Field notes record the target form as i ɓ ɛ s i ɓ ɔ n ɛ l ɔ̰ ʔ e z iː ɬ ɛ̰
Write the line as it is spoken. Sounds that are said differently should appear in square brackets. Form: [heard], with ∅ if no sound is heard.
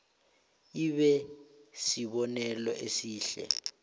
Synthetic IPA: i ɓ ɛ s i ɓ ɔ n ɛ l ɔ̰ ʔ e [s] iː ɬ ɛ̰